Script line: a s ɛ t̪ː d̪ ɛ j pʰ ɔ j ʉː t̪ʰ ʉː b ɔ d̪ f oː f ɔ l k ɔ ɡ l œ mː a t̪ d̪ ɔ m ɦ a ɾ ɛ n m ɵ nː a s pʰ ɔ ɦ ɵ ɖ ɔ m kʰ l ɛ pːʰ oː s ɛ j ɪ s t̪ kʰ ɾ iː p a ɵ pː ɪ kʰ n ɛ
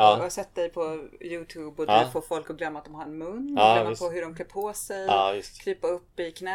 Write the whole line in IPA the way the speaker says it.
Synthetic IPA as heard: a s ɛ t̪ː d̪ ɛ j pʰ ɔ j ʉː t̪ʰ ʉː b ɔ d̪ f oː f ɔ l k ɔ ɡ l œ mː a t̪ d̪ ɔ m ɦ a ɾ ɛ n m ɵ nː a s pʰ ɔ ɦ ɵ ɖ ɔ m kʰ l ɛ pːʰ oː s ɛ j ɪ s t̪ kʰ ɾ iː p a ɵ pː ɪ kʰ n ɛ